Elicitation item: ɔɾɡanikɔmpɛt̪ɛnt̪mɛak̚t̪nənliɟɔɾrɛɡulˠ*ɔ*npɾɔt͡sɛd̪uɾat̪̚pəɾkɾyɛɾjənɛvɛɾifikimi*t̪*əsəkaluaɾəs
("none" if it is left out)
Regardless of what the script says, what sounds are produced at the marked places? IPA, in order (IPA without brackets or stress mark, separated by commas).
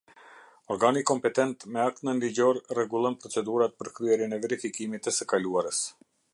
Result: ɔ, t̪